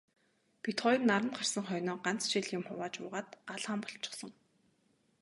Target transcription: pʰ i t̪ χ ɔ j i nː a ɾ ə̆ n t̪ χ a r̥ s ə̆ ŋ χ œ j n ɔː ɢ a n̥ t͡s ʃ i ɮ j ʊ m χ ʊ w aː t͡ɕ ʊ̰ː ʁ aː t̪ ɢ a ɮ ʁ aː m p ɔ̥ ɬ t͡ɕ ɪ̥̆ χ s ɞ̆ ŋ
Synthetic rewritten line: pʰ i t̪ χ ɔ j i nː a ɾ ə̆ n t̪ χ a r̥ s ə̆ ŋ χ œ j n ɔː ɢ a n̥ t͡s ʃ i ɮ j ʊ m χ ʊ w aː t͡ɕ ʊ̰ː ʁ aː t̪ ɢ a ɮ ʁ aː m p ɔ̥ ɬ t͡ɕ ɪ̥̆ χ s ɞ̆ ŋ

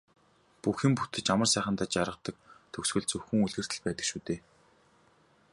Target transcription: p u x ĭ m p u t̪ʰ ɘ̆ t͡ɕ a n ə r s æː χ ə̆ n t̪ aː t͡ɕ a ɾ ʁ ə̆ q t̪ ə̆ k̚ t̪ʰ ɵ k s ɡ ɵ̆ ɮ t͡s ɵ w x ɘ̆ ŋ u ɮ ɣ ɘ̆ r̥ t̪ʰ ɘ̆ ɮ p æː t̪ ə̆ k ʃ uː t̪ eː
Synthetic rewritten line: p u x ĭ m p u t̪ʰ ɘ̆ t͡ɕ a m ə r s æː χ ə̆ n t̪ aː t͡ɕ a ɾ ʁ ə̆ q t̪ ə̆ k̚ t̪ʰ ɵ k s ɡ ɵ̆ ɮ t͡s ɵ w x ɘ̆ ŋ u ɮ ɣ ɘ̆ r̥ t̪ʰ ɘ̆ ɮ p æː t̪ ə̆ k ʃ uː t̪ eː

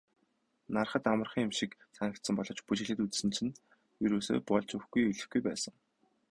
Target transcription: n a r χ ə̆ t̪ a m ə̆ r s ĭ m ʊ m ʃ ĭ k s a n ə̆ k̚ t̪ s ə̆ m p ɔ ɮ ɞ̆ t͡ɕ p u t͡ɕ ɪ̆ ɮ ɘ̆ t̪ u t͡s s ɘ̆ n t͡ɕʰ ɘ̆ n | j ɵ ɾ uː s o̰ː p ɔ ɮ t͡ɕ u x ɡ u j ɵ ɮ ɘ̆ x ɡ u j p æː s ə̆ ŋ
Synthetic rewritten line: n a r χ ə̆ t̪ a m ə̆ r χ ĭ ŋ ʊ m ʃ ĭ k s a n ə̆ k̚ t̪ s ə̆ m p ɔ ɮ ɞ̆ t͡ɕ p u t͡ɕ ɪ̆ ɮ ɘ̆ t̪ u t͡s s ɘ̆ n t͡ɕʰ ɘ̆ n | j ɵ ɾ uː s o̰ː p ɔ ɮ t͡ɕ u x ɡ u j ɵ ɮ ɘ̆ x ɡ u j p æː s ə̆ ŋ

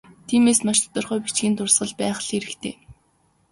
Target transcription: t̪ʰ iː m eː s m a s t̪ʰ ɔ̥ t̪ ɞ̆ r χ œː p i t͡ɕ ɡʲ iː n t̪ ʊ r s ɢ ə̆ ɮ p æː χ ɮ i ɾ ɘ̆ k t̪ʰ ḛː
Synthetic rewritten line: t̪ʰ iː m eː s m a ʃ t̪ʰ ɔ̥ t̪ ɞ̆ r χ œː p i t͡ɕ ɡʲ iː n t̪ ʊ r s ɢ ə̆ ɮ p æː χ ɮ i ɾ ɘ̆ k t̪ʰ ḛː

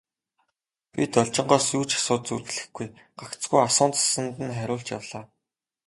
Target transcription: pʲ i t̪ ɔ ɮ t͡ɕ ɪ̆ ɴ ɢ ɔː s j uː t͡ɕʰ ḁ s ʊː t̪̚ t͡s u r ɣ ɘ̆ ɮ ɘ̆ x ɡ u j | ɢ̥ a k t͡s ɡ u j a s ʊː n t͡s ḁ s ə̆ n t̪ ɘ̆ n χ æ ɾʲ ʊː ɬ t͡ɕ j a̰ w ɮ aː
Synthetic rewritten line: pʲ i t̪ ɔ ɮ t͡ɕ ɪ̆ ɴ ɢ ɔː s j uː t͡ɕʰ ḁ s ʊː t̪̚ t͡s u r ɣ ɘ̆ ɮ ɘ̆ x ɡ u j | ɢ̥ a k t͡s ɡ u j a s ʊː n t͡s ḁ s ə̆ n t̪ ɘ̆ n χ æ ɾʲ ʊː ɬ t͡ɕ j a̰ w ɮ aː

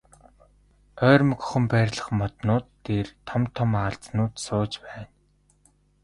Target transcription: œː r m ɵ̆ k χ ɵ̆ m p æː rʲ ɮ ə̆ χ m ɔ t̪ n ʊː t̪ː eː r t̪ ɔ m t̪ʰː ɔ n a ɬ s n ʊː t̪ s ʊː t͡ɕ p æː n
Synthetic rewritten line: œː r m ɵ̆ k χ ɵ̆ m p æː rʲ ɮ ə̆ χ m ɔ t̪ n ʊː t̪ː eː r t̪ʰ ɔ m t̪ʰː ɔ m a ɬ t͡s n ʊː t̪ s ʊː t͡ɕ p æː n

